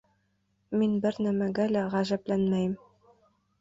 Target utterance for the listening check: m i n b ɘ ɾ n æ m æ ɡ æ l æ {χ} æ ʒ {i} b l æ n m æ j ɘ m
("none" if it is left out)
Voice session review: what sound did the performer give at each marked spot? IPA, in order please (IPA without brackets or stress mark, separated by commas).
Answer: ʁ, æ